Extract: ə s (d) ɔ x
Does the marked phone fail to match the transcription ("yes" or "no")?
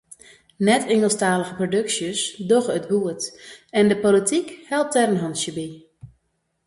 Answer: no